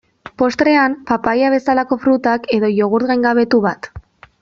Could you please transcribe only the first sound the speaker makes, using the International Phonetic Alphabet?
p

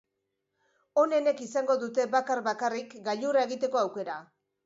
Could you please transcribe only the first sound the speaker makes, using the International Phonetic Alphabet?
o̞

